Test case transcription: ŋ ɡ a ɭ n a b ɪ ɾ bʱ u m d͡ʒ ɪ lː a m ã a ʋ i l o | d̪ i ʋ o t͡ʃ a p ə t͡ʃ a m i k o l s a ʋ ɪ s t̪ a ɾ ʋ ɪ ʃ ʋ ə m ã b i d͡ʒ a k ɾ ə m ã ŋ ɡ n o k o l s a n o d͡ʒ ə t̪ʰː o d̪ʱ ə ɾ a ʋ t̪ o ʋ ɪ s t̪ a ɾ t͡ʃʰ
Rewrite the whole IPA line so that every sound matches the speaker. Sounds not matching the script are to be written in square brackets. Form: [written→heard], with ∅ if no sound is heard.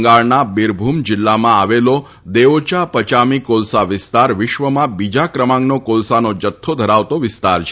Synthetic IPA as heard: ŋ ɡ a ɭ n a b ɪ ɾ bʱ u m d͡ʒ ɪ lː a m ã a ʋ [i→e] l o | d̪ [i→e] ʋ o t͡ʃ a p ə t͡ʃ a m i k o l s a ʋ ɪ s t̪ a ɾ ʋ ɪ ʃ ʋ ə m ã b i d͡ʒ a k ɾ ə m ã ŋ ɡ n o k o l s a n o d͡ʒ ə t̪ʰː o d̪ʱ ə ɾ a ʋ t̪ o ʋ ɪ s t̪ a ɾ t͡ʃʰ